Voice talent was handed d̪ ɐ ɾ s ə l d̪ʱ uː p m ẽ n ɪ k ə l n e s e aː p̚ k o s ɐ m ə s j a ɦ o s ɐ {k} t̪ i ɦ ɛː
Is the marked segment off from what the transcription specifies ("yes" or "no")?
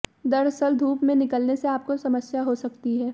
no